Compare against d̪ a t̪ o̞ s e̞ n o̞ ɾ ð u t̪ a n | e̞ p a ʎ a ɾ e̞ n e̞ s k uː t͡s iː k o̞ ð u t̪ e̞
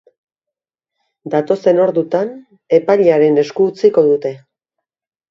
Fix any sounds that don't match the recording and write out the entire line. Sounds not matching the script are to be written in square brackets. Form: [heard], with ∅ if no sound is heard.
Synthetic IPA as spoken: d̪ a t̪ o̞ s e̞ n o̞ ɾ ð u t̪ a n | e̞ p a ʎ a ɾ e̞ n e̞ s k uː t͡s [i] k o̞ ð u t̪ e̞

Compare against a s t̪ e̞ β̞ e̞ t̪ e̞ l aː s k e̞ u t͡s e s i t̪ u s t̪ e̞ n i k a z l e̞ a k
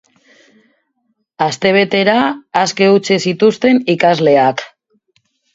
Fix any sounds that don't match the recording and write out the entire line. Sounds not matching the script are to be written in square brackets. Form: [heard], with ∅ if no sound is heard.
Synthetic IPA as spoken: a s t̪ e̞ β̞ e̞ t̪ e̞ [ɾ] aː s k e̞ u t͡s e s i t̪ u s t̪ e̞ n i k a z l e̞ a k

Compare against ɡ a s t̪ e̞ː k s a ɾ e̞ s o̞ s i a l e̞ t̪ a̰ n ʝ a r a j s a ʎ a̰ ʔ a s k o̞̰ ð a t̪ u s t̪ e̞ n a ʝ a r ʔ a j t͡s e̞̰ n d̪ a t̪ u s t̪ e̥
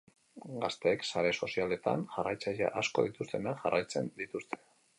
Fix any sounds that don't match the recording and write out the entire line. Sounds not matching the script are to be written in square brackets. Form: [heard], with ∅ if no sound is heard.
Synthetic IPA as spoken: ɡ a s t̪ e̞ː k s a ɾ e̞ s o̞ s i a l e̞ t̪ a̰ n ʝ a r a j [t͡s] a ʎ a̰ ʔ a s k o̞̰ ð [i] t̪ u s t̪ e̞ n a ʝ a r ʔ a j t͡s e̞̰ n d̪ [i] t̪ u s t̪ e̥

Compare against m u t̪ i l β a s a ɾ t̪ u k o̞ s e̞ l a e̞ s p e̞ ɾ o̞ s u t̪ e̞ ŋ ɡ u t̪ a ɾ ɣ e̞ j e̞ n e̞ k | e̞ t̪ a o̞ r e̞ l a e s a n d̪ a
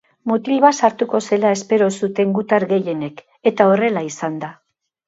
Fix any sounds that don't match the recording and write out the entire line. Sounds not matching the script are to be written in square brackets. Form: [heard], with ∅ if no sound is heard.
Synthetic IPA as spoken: m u t̪ i l β a s a ɾ t̪ u k o̞ s e̞ l a e̞ s p e̞ ɾ o̞ s u t̪ e̞ ŋ ɡ u t̪ a ɾ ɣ e̞ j e̞ n e̞ k | e̞ t̪ a o̞ r e̞ l a [i] s a n d̪ a

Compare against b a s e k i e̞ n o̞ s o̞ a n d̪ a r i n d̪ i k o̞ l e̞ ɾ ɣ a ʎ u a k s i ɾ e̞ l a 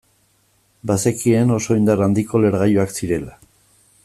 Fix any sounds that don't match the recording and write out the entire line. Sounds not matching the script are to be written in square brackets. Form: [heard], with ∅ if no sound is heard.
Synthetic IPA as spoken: b a s e k i e̞ n o̞ s o̞ [i] n d̪ a r [a] n d̪ i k o̞ l e̞ ɾ ɣ a [j] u a k s i ɾ e̞ l a

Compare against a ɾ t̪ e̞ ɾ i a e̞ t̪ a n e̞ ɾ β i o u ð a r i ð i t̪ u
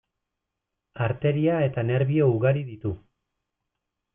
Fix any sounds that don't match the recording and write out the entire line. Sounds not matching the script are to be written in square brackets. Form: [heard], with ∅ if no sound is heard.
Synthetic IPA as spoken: a ɾ t̪ e̞ ɾ i a e̞ t̪ a n e̞ ɾ β i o u [ɣ] a [ɾ] i ð i t̪ u

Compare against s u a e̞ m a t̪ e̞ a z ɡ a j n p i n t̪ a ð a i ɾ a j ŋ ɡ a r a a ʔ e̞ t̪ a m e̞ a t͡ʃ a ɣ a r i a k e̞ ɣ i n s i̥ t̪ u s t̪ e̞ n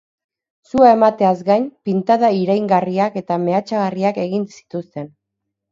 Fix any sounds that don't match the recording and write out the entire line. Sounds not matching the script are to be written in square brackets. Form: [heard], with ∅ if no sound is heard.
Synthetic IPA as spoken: s u a e̞ m a t̪ e̞ a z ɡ a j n p i n t̪ a ð a i ɾ a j ŋ ɡ a r [i] a [k] e̞ t̪ a m e̞ a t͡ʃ a ɣ a r i a k e̞ ɣ i n s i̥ t̪ u s t̪ e̞ n

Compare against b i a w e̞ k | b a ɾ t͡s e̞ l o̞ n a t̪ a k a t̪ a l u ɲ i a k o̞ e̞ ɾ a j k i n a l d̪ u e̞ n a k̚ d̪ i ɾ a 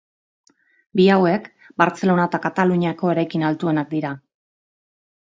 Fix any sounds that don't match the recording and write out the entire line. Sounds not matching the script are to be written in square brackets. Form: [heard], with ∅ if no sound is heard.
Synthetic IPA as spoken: b i a w e̞ k | b a ɾ t͡s e̞ l o̞ n a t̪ a k a t̪ a l u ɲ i a k o̞ e̞ ɾ a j k i n a l [t̪] u e̞ n a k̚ d̪ i ɾ a

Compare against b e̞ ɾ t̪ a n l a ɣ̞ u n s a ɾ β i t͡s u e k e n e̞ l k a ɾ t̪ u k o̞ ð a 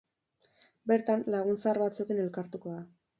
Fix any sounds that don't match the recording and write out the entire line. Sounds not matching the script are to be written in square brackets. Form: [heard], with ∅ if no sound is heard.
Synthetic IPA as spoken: b e̞ ɾ t̪ a n l a ɣ̞ u n s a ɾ β [a] t͡s u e k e n e̞ l k a ɾ t̪ u k o̞ ð a

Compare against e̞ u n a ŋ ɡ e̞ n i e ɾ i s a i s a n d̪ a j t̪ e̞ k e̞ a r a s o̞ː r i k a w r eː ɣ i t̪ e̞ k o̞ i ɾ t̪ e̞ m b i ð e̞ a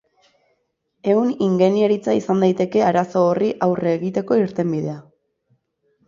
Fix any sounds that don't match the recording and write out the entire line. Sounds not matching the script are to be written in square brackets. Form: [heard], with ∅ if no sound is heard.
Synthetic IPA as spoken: e̞ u n [i] ŋ ɡ e̞ n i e ɾ i [t͡s] a i s a n d̪ a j t̪ e̞ k e̞ a [ɾ] a s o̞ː r i [ʔ] a w r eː ɣ i t̪ e̞ k o̞ i ɾ t̪ e̞ m b i ð e̞ a

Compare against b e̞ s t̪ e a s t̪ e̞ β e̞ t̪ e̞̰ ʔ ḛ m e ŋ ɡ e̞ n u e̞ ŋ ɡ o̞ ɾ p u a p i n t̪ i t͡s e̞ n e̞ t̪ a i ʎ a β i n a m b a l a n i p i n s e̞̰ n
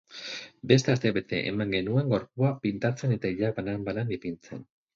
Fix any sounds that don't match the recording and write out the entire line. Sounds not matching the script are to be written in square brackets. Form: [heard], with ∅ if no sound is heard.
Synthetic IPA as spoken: b e̞ s t̪ e a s t̪ e̞ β e̞ t̪ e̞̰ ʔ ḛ m [a] ŋ ɡ e̞ n u e̞ ŋ ɡ o̞ ɾ p u a p i n t̪ [a] t͡s e̞ n e̞ t̪ a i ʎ a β [a] n a m b a l a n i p i n [t͡s] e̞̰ n

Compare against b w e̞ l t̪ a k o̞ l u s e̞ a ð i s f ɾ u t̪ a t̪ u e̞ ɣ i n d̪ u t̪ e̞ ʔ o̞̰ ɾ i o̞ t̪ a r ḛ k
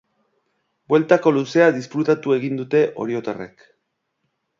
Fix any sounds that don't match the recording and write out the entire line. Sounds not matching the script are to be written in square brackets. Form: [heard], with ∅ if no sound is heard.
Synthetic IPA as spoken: b w e̞ l t̪ a k o̞ l u s e̞ a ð i s f ɾ u t̪ a t̪ u e̞ ɣ i n d̪ u t̪ e̞ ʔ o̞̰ ɾ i o̞ t̪ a r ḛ k

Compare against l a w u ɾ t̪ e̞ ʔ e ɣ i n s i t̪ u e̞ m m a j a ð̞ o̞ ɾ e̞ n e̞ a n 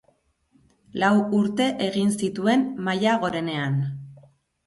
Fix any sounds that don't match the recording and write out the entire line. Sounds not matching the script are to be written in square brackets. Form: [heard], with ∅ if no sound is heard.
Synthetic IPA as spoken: l a w u ɾ t̪ e̞ ʔ e ɣ i n s i t̪ u e̞ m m a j a [ɣ̞] o̞ ɾ e̞ n e̞ a n

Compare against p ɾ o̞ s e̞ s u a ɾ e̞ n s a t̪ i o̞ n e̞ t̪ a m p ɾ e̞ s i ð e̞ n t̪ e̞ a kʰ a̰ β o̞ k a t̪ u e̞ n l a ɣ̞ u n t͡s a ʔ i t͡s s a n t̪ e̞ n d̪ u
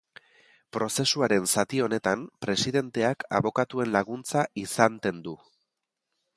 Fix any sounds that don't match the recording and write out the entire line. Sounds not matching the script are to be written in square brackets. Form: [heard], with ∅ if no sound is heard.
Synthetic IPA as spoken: p ɾ o̞ s e̞ s u a ɾ e̞ n s a t̪ i o̞ n e̞ t̪ a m p ɾ e̞ s i ð e̞ n t̪ e̞ a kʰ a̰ β o̞ k a t̪ u e̞ n l a ɣ̞ u n t͡s a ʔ i [∅] s a n t̪ e̞ n d̪ u

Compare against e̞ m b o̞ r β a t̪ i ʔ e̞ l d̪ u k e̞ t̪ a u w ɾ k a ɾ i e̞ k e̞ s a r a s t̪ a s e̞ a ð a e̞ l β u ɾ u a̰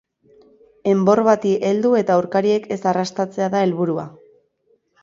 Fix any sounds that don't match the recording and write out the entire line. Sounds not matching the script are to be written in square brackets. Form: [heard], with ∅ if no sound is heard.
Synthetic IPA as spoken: e̞ m b o̞ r β a t̪ i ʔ e̞ l d̪ u [∅] e̞ t̪ a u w ɾ k a ɾ i e̞ k e̞ s a r a s t̪ a [t͡s] e̞ a ð a e̞ l β u ɾ u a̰

